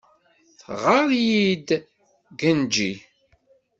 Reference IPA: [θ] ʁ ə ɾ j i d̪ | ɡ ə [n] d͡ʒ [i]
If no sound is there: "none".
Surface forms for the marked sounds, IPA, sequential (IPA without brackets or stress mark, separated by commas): θ, n, i